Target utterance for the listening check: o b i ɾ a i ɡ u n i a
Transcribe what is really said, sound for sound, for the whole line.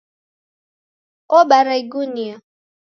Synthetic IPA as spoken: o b a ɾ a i ɡ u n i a